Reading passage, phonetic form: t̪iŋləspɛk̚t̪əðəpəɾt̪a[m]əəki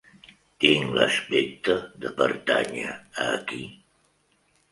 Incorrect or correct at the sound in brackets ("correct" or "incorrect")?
incorrect